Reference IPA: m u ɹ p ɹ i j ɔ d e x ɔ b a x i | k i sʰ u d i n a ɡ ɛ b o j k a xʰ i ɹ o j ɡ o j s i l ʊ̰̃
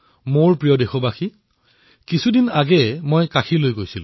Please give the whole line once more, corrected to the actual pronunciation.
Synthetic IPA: m o ɹ p ɹ i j ɔ d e x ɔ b a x i | k i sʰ u d i n a ɡ ɛ m o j k a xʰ i l o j ɡ o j s i l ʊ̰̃